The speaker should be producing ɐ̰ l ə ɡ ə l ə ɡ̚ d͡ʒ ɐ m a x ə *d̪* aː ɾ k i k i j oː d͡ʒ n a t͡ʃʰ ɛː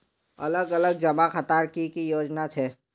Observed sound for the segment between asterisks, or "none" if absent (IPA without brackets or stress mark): t̪